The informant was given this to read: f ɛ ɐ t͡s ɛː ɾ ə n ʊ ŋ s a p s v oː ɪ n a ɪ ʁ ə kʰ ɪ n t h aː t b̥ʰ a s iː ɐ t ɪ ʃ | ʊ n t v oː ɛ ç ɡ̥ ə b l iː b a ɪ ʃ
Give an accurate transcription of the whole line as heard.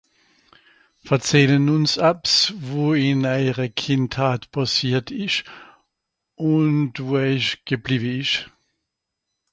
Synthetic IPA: f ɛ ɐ t͡s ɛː l ə n ʊ n s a p s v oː ɪ n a ɪ ʁ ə kʰ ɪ n t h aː t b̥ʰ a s iː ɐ t ɪ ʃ | ʊ n t v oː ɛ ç ɡ̥ ə b l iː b ə ɪ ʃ